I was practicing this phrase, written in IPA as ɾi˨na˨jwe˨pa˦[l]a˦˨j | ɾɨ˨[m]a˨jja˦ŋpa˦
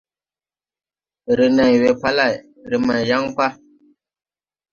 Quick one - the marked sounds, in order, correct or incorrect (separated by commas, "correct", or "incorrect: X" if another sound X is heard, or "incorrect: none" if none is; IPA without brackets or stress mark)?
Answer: correct, correct